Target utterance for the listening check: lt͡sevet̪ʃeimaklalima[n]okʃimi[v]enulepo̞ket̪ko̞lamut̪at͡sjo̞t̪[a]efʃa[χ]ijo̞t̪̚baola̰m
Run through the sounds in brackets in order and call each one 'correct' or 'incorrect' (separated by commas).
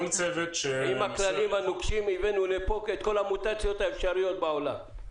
correct, correct, correct, incorrect